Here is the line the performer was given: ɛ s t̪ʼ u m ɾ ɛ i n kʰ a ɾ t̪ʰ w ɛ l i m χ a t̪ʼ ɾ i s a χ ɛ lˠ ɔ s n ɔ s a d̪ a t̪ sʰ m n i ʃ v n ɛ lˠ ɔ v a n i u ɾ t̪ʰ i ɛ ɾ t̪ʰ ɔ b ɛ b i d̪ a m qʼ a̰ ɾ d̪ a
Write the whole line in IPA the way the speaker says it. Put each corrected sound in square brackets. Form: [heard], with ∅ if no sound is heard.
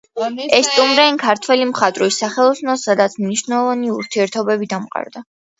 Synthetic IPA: ɛ s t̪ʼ u m ɾ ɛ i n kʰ a ɾ t̪ʰ w ɛ l i m χ a t̪ʼ ɾ i s a χ ɛ lˠ ɔ s n ɔ s a d̪ a t̪ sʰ m n i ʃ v n ɛ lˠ ɔ v a n i u ɾ t̪ʰ i ɛ ɾ t̪ʰ ɔ b ɛ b i d̪ a m qʼ a̰ ɾ d̪ a